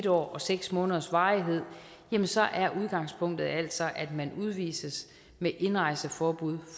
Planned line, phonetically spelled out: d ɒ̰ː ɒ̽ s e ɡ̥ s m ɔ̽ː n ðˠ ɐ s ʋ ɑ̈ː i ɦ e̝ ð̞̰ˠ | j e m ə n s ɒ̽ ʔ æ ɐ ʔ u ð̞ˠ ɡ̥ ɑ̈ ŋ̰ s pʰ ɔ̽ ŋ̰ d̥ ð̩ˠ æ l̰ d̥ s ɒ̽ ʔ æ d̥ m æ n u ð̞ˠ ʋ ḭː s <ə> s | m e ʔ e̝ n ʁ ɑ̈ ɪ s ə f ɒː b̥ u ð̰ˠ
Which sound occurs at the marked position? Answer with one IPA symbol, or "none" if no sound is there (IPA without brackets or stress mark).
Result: ə